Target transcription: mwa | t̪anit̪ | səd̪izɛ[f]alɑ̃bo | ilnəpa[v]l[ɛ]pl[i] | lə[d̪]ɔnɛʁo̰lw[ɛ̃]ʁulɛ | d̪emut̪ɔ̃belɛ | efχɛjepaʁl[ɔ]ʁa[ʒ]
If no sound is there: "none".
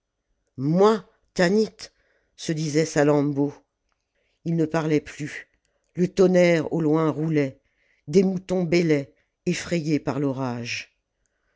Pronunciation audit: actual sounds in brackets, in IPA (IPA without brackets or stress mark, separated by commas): s, ʁ, ɛ, y, t̪, ɛ̃, ɔ, ʒ